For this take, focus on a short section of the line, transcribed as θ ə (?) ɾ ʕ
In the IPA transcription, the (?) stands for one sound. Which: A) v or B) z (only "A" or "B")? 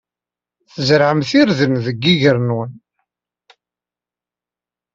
B